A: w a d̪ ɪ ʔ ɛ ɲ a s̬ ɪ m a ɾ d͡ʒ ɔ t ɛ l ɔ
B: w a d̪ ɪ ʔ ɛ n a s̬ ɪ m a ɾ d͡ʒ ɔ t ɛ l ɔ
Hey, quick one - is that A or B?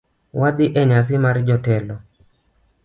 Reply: A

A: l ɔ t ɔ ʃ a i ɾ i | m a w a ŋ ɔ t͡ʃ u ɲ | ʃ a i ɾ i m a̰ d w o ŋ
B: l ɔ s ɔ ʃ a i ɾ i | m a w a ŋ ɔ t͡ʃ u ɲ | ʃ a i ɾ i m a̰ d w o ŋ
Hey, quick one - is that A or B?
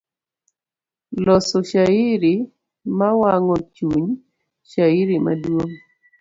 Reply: B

